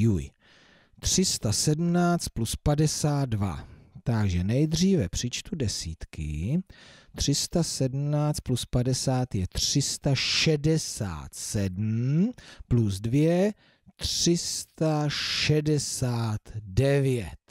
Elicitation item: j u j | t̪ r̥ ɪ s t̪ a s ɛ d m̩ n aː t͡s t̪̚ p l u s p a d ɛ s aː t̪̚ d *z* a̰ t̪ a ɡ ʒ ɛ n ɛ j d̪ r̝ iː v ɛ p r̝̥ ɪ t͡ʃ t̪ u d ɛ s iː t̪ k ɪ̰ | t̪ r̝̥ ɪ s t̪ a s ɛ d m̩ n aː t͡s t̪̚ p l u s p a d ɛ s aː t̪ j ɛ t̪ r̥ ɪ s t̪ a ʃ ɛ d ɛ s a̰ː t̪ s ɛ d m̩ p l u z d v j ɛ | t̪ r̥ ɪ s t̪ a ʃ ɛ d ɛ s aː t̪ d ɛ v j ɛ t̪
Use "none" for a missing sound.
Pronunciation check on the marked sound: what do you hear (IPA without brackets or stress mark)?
v